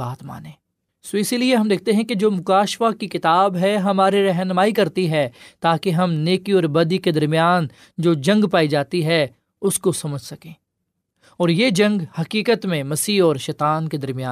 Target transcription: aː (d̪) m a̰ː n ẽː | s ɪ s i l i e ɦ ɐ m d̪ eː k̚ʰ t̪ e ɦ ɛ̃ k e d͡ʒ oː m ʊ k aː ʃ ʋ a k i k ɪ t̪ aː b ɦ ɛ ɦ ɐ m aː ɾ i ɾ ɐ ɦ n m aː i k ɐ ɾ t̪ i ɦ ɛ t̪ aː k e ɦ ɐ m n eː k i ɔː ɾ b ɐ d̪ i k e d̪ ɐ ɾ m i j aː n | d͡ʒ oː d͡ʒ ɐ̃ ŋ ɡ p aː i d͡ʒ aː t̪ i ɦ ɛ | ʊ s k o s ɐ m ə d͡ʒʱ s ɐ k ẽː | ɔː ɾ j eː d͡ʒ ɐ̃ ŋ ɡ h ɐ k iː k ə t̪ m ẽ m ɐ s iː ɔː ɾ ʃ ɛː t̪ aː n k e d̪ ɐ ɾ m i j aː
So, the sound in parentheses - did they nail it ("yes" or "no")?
no